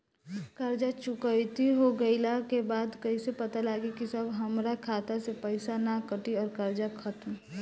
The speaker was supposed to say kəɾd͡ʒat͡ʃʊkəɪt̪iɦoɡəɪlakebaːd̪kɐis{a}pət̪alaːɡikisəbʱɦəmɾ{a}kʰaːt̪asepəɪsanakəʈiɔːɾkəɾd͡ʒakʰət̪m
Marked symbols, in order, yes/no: no, yes

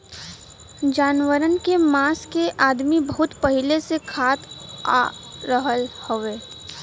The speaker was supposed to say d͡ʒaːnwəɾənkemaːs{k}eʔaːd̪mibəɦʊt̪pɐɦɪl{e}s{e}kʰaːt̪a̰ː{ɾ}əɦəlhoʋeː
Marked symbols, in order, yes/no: yes, yes, yes, yes

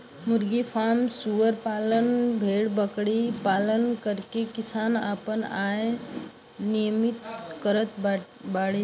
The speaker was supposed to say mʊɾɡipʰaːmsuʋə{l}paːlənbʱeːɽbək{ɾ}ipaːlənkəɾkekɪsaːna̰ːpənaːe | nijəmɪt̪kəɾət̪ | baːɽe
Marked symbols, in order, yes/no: no, no

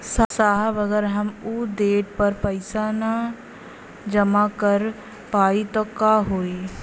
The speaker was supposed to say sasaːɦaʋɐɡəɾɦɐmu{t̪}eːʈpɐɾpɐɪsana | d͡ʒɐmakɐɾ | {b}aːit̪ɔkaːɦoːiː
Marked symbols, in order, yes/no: no, no

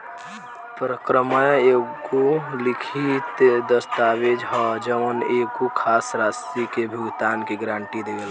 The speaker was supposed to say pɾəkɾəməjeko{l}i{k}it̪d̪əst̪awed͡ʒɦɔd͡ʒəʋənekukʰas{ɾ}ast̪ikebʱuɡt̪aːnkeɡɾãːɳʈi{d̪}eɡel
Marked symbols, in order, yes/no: yes, no, yes, yes

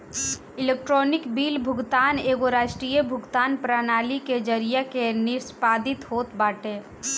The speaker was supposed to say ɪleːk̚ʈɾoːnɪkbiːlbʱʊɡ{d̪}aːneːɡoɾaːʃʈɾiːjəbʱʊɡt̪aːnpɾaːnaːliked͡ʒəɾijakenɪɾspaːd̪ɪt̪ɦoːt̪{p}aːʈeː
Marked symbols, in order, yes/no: no, no

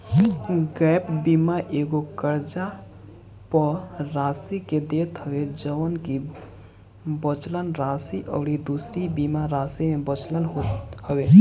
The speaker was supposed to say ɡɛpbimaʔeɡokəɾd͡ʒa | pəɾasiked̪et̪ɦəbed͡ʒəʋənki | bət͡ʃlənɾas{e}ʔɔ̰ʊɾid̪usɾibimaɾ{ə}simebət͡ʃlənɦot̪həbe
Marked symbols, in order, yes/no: no, no

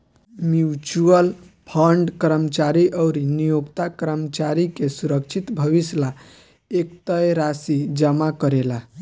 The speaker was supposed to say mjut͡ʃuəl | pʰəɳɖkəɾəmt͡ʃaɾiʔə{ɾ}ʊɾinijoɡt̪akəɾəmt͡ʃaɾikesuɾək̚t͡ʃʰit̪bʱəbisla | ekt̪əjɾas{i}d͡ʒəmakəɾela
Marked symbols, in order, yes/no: no, yes

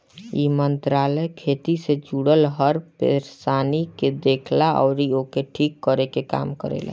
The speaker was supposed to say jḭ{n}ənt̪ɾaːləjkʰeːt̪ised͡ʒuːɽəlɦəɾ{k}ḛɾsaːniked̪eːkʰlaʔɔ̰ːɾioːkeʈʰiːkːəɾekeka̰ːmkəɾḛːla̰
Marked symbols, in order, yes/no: no, no

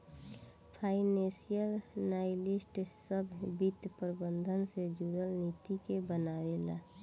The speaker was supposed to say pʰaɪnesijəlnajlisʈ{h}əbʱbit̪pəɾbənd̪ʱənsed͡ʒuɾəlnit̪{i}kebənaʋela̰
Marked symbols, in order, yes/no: no, yes

